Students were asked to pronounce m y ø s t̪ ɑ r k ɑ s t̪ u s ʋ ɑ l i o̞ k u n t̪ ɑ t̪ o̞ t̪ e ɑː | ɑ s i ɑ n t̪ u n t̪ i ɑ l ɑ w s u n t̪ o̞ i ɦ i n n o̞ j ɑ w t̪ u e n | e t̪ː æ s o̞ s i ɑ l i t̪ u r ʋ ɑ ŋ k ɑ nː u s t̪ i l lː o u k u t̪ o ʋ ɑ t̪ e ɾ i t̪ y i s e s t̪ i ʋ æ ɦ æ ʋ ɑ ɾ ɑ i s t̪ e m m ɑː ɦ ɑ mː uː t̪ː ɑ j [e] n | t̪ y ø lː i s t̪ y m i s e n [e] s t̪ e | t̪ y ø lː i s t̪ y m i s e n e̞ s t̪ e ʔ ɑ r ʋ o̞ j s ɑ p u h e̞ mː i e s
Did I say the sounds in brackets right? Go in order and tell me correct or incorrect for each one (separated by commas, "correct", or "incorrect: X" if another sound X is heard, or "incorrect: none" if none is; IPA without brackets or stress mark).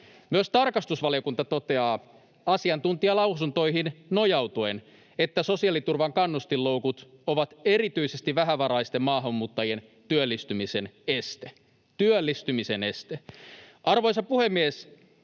correct, correct